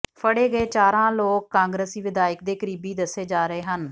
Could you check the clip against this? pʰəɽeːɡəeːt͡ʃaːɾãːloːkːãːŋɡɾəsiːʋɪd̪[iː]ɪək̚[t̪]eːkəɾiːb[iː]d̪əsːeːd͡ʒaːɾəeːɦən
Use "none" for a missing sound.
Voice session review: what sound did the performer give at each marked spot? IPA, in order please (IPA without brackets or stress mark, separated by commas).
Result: aː, d̪, iː